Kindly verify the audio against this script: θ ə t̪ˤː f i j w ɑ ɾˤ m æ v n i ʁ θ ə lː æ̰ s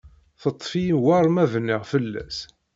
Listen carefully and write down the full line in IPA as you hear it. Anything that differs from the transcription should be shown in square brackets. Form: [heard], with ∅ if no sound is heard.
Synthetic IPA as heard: θ ə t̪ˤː f i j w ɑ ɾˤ m æ v n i ʁ [f] ə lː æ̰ s